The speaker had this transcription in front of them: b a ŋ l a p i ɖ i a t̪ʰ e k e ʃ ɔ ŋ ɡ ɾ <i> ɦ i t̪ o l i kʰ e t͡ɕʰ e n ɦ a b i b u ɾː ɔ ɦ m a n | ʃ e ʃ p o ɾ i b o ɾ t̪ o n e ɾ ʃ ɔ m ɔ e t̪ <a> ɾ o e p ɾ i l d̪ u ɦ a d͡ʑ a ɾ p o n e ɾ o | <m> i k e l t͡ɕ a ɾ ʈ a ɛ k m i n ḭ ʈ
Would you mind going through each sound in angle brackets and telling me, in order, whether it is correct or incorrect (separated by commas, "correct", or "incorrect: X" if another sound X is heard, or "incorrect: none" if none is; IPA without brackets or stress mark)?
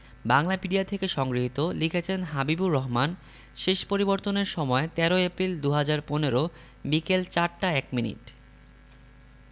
correct, incorrect: ɛ, incorrect: b